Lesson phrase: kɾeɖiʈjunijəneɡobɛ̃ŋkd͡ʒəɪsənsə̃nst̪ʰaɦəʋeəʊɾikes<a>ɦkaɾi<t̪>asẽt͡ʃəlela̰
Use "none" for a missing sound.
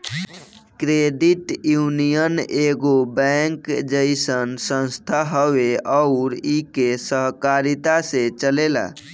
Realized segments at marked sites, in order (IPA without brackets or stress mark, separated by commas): ə, t̪